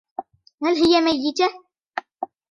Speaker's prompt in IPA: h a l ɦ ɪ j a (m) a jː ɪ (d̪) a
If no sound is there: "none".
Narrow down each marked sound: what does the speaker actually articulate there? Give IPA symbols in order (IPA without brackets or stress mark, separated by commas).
m, t̪